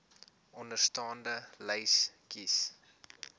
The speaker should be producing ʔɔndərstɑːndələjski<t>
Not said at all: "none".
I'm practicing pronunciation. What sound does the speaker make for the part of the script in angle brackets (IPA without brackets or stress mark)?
s